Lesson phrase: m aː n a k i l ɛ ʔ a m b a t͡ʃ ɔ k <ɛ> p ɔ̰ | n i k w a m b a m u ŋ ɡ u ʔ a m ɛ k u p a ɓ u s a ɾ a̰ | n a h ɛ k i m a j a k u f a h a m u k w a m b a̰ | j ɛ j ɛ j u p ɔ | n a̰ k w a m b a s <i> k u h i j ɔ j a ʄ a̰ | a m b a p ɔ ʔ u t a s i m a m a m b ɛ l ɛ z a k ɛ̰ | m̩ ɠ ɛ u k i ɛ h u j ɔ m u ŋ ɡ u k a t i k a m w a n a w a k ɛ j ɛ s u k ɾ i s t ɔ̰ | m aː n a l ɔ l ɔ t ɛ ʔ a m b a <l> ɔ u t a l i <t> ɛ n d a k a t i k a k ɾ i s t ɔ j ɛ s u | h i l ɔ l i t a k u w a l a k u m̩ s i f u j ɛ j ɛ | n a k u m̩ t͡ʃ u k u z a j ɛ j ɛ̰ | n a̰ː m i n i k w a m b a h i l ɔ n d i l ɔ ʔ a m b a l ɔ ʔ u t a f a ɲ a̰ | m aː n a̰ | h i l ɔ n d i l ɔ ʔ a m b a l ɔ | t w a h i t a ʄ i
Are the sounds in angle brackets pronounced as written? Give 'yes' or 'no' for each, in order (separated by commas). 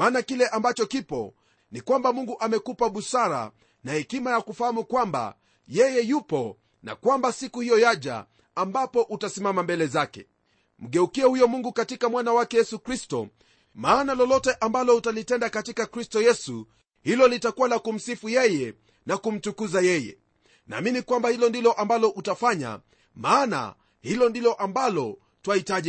no, yes, yes, yes